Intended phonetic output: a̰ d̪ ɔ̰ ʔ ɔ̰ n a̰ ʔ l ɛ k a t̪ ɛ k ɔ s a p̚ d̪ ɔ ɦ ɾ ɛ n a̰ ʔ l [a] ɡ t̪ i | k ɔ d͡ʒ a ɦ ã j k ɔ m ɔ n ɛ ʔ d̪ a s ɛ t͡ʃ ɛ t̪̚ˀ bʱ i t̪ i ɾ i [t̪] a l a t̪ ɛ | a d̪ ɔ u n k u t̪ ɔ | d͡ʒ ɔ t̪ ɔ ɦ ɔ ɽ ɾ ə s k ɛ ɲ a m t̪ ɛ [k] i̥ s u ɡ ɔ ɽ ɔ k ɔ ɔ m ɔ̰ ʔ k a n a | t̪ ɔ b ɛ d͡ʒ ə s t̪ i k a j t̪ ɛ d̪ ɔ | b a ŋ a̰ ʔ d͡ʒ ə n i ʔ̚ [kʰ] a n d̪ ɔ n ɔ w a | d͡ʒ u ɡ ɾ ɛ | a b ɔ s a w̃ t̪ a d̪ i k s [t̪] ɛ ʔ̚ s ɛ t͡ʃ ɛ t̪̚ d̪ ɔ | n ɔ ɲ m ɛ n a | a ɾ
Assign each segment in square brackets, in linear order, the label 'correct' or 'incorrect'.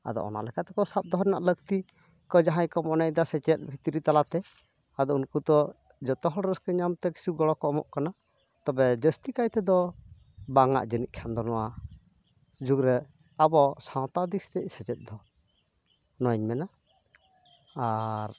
incorrect: ə, correct, correct, correct, correct

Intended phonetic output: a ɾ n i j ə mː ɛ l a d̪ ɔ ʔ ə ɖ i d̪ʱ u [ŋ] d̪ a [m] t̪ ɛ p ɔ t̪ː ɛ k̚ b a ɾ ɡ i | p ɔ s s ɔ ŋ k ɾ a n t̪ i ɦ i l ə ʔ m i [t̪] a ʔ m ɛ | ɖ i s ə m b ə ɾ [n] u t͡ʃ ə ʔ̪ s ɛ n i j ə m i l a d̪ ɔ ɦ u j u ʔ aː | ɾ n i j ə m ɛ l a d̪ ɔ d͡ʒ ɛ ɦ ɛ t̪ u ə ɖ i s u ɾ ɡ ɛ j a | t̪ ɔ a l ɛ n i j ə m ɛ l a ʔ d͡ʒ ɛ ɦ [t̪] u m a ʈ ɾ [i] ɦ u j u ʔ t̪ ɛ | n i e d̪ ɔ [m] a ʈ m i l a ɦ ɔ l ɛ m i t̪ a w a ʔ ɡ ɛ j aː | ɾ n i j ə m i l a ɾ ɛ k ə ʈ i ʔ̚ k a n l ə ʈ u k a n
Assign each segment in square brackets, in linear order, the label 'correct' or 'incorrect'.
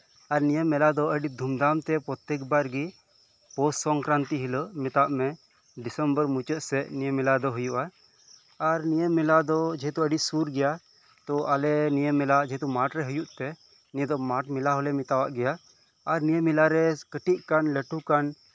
incorrect: m, correct, correct, incorrect: m, correct, incorrect: ɛ, correct

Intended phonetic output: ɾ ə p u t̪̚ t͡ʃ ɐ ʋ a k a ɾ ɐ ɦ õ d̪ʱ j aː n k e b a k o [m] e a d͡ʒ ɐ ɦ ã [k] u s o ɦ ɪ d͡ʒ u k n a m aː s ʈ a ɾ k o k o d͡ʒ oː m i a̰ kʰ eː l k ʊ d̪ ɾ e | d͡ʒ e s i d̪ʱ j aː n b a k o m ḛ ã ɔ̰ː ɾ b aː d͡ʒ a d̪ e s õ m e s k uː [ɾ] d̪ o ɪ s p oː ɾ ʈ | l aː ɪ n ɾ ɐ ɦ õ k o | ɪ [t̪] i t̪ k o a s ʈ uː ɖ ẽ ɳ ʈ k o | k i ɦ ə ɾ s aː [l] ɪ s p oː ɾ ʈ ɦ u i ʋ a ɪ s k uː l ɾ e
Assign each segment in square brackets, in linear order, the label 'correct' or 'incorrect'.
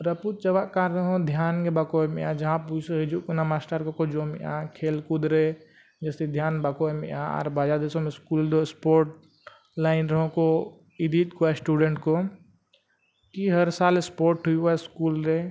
correct, incorrect: p, incorrect: l, incorrect: d̪, correct

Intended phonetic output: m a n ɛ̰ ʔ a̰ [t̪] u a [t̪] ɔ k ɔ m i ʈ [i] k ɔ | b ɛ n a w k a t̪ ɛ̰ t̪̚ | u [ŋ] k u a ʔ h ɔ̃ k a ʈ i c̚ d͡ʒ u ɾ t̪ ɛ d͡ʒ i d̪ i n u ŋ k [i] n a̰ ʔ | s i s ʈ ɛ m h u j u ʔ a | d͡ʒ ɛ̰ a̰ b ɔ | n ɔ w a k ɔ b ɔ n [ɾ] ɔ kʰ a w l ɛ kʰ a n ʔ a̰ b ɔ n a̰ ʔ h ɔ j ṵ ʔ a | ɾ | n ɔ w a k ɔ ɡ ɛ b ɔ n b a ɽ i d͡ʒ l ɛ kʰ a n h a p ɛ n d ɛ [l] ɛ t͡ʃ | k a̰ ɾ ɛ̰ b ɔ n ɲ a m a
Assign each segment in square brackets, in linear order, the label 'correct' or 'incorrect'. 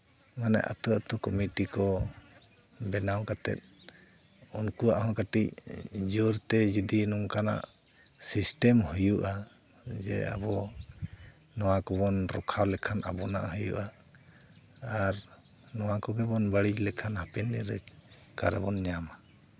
correct, correct, correct, incorrect: n, incorrect: a, correct, incorrect: ɾ

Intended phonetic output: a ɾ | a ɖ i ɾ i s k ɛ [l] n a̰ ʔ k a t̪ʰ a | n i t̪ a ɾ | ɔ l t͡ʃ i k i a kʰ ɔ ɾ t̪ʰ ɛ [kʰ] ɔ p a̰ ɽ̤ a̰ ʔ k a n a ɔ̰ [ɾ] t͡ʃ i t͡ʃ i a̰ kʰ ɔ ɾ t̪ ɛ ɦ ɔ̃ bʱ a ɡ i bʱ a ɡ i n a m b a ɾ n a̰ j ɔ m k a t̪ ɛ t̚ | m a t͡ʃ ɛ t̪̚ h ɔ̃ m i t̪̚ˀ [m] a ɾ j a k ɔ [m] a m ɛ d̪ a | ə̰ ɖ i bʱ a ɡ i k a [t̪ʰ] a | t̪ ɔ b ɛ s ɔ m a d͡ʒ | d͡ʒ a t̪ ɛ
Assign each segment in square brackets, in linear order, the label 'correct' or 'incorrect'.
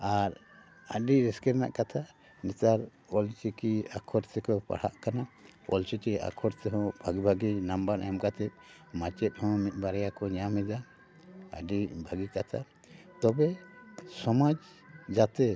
incorrect: ɾ, incorrect: k, incorrect: l, incorrect: b, incorrect: ɲ, correct

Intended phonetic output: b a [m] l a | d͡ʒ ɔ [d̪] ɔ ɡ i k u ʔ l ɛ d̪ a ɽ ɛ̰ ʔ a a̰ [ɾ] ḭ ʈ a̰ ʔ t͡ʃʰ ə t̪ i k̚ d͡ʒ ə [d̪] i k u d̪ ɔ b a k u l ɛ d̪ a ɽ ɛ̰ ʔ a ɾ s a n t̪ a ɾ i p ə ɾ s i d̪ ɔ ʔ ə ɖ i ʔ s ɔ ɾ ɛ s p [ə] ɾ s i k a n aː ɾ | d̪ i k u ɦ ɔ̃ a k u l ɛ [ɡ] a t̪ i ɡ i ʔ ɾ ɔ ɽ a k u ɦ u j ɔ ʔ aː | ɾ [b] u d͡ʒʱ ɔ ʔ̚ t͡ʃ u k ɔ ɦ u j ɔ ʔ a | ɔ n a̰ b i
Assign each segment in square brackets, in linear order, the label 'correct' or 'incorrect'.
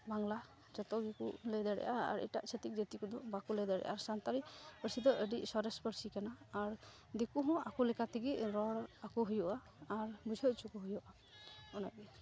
incorrect: ŋ, incorrect: t̪, correct, incorrect: t̪, correct, incorrect: k, correct

